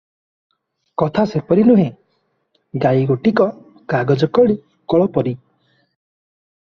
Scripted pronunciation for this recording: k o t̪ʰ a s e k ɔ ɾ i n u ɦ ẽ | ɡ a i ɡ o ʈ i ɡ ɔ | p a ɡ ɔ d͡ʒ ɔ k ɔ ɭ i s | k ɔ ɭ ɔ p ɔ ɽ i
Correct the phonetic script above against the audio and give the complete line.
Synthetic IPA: k ɔ t̪ʰ a s e p ɔ ɾ i n u ɦ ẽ | ɡ a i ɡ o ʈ i k ɔ | k a ɡ ɔ d͡ʒ ɔ k ɔ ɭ i | k ɔ ɭ ɔ p ɔ ɾ i